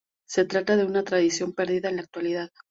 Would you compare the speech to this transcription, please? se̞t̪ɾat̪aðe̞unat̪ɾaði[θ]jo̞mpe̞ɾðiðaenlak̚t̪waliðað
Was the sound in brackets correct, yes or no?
no